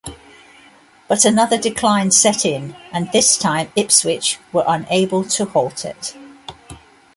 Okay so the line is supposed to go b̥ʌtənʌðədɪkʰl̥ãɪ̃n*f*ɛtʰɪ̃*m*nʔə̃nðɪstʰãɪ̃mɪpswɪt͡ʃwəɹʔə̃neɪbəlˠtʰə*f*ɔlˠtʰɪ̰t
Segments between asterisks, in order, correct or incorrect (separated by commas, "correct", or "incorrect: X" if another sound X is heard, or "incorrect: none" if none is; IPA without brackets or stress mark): incorrect: s, incorrect: none, incorrect: h